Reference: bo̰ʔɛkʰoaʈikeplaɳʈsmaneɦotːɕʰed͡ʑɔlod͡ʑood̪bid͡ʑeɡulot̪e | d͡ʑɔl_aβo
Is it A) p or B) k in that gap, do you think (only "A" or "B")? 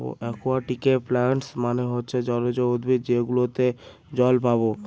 A